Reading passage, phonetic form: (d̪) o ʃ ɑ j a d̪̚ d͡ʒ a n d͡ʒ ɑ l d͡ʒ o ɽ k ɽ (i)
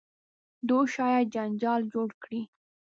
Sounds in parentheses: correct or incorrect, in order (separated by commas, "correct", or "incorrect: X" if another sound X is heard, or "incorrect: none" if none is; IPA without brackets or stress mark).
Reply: correct, correct